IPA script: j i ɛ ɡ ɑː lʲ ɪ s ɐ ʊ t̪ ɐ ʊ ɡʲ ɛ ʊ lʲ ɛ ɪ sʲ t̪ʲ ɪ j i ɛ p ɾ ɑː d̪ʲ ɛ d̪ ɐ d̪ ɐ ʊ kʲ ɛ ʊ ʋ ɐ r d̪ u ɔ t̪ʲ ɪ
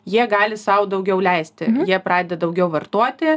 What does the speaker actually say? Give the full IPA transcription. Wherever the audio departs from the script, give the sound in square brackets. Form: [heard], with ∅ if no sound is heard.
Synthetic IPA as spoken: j i ɛ ɡ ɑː lʲ ɪ s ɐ ʊ [d̪] ɐ ʊ ɡʲ ɛ ʊ lʲ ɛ ɪ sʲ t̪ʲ ɪ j i ɛ p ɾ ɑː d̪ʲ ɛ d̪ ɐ d̪ ɐ ʊ [ɡʲ] ɛ ʊ ʋ ɐ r [t̪] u ɔ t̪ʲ ɪ